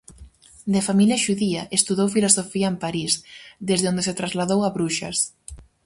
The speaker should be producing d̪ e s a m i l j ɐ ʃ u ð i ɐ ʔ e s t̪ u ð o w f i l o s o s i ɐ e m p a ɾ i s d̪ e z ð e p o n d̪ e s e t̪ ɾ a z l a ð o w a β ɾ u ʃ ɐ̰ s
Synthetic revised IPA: d̪ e f a m i l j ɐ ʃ u ð i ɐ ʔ e s t̪ u ð o w f i l o s o f i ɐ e m p a ɾ i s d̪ e z ð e o n d̪ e s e t̪ ɾ a z l a ð o w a β ɾ u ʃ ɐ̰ s